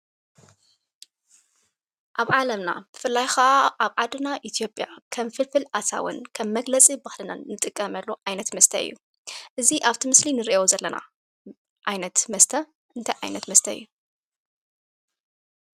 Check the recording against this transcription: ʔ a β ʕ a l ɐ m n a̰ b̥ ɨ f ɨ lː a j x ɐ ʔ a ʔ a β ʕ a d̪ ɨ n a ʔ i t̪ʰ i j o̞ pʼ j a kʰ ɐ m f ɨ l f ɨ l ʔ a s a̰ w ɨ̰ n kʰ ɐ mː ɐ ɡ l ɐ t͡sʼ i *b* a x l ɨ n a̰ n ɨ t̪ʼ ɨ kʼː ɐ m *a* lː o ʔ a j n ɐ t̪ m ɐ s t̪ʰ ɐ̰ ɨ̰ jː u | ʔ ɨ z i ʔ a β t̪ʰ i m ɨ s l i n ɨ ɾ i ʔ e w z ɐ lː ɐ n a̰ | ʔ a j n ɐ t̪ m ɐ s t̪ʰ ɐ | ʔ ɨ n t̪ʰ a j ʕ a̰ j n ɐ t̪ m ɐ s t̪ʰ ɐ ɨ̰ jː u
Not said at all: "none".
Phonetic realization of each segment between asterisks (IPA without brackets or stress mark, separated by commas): b, ɐ